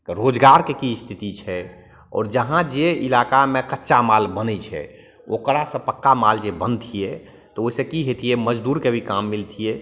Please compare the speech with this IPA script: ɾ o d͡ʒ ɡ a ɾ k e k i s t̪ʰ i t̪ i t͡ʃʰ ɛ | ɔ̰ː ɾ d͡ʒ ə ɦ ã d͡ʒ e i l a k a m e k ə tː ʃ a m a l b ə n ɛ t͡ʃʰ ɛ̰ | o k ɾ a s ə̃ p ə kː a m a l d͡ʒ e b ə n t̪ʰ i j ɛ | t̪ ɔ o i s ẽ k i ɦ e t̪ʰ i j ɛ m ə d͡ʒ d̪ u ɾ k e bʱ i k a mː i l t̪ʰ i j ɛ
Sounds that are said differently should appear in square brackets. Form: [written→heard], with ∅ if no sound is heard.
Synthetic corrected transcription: ɾ o d͡ʒ ɡ a ɾ k e k i s t̪ʰ i t̪ i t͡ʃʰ ɛ | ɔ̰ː ɾ d͡ʒ ə ɦ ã d͡ʒ e i l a k a m e k ə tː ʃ a m a l b ə n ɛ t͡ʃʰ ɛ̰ | o k ɾ a s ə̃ p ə kː a m a l d͡ʒ e b ə n t̪ʰ i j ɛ | t̪ ɔ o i s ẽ k i ɦ e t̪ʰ i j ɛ m ə d͡ʒ d̪ u ɾ k e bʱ i k a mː i l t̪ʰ i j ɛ